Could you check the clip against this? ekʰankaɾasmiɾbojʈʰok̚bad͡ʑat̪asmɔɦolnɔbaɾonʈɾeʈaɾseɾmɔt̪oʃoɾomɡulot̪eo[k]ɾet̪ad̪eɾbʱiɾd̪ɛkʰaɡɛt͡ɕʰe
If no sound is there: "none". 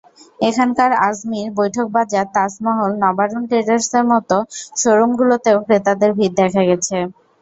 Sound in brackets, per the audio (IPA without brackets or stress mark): k